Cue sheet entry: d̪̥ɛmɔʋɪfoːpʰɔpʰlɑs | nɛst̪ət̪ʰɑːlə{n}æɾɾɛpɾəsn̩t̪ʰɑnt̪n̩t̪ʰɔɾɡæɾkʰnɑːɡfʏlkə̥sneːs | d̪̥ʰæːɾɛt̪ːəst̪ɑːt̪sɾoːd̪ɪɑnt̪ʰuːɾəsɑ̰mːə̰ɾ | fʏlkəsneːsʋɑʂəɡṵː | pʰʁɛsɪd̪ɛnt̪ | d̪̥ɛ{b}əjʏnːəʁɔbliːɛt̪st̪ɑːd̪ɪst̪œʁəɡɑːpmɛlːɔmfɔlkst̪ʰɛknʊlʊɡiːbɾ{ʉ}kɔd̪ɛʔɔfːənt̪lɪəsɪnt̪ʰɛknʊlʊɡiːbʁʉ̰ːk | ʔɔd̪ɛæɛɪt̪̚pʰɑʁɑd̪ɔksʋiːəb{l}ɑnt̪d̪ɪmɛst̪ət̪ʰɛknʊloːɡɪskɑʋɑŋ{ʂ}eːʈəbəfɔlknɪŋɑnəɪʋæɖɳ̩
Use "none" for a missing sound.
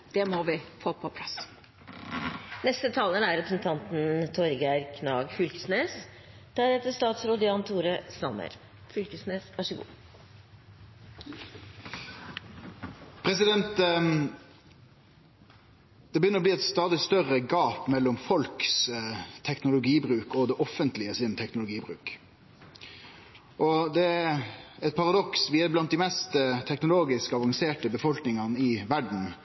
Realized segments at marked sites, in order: n, b, ʉː, l, s

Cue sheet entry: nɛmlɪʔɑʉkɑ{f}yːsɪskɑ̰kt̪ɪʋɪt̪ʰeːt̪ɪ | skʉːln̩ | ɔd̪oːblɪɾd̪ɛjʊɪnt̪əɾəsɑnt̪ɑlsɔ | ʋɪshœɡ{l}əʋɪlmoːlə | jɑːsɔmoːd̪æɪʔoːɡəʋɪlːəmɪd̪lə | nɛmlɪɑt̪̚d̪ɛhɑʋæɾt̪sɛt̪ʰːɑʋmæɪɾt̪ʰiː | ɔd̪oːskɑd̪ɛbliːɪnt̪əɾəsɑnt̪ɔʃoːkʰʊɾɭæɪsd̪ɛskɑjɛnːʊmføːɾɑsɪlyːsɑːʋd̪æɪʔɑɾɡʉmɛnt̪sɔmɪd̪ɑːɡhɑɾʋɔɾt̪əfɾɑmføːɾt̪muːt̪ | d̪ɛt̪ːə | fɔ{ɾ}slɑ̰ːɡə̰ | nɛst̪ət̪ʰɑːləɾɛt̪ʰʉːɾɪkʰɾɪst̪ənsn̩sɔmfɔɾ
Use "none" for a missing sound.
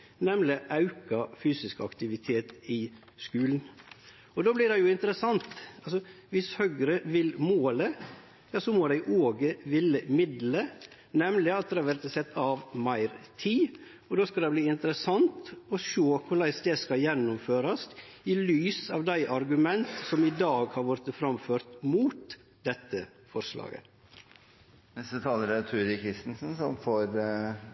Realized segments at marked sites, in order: f, ɾ, ɾ

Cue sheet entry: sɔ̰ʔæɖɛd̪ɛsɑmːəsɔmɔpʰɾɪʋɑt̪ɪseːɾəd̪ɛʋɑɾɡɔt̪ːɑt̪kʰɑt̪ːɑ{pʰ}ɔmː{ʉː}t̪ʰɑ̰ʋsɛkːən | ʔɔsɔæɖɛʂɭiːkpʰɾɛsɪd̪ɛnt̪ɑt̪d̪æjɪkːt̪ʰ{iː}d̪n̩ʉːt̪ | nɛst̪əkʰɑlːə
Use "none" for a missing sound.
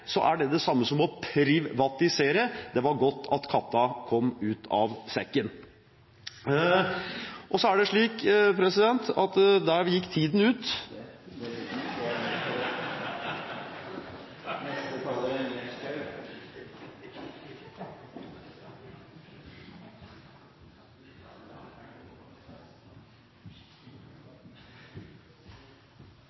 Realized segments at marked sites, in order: kʰ, ʉː, iː

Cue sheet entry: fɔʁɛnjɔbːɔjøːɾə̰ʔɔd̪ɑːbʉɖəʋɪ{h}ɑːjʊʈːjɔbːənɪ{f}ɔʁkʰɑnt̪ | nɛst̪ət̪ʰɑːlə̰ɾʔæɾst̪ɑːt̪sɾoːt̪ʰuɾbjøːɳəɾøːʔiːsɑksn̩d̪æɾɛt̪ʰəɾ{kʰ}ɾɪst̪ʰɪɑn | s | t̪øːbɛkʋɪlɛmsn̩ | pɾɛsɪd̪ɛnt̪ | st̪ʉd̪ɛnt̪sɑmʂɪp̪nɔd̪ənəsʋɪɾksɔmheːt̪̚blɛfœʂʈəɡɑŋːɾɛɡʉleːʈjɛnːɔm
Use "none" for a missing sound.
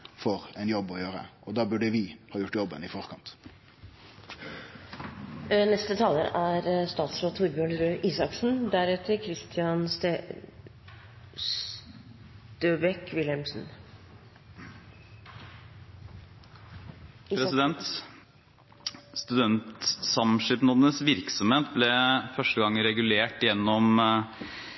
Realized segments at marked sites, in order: h, f, kʰ

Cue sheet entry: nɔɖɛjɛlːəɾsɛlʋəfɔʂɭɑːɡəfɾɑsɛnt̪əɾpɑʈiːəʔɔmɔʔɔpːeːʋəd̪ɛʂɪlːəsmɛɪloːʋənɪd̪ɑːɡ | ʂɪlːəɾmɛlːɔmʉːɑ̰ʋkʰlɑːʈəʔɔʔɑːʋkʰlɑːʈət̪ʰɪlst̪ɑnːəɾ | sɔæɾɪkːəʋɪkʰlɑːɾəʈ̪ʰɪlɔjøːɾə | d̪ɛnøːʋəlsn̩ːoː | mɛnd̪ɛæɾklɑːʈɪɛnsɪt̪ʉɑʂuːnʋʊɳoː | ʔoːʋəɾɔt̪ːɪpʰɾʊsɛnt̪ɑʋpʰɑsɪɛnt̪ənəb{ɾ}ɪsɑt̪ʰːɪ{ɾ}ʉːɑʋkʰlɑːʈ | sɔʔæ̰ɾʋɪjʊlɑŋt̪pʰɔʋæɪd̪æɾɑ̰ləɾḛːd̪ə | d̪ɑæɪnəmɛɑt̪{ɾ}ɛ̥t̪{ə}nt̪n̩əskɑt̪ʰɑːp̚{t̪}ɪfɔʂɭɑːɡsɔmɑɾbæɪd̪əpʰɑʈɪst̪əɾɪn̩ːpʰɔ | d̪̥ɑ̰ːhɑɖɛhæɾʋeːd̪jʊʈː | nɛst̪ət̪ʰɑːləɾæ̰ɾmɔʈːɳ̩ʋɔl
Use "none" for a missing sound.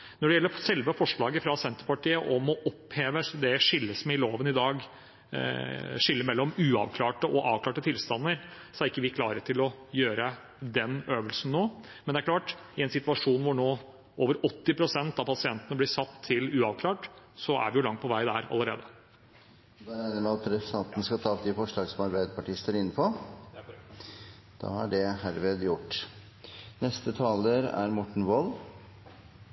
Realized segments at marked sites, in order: l, l, ɾ, ɑ, d̪

